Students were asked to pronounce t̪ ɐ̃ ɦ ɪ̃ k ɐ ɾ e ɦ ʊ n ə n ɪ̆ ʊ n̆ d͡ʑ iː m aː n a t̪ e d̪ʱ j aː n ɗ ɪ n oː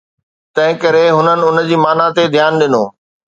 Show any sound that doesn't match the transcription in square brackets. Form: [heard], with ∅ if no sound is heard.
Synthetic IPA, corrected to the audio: t̪ ɐ̃ ɦ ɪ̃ k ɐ ɾ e ɦ ʊ n ə n ɪ̆ ʊ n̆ d͡ʑ iː m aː n a t̪ e d̪ʱ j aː n ɗ ɪ n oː